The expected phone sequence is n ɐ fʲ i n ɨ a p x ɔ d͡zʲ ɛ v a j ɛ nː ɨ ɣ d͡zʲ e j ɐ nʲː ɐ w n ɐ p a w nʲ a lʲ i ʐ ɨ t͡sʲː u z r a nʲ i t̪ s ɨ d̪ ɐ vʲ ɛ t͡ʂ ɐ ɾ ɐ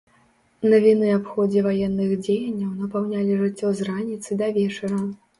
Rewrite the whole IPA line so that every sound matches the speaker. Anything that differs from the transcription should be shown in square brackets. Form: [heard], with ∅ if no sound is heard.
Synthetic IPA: n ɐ [vʲ] i n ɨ a p x ɔ d͡zʲ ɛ v a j ɛ nː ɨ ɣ d͡zʲ e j ɐ nʲː ɐ w n ɐ p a w nʲ a lʲ i ʐ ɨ t͡sʲː [ɔ] z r a nʲ i t̪ s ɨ d̪ ɐ vʲ ɛ t͡ʂ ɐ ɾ ɐ